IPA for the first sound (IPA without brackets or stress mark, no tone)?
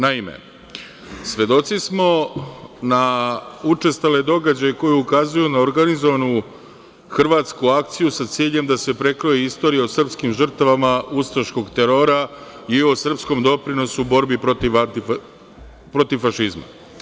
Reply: n